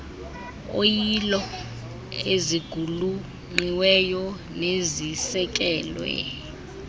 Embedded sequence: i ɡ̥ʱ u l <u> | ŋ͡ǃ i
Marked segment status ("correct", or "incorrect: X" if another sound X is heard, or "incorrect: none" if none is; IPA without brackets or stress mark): correct